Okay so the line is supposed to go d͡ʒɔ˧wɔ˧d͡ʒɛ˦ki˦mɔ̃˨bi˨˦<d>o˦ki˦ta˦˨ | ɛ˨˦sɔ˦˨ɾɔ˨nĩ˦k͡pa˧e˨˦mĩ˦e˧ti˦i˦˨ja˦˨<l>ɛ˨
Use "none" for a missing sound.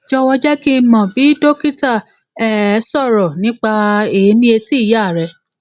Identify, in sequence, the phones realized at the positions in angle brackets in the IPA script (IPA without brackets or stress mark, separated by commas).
d, ɾ